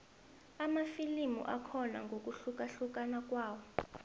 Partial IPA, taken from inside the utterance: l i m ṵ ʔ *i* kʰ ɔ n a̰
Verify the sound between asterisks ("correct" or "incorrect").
incorrect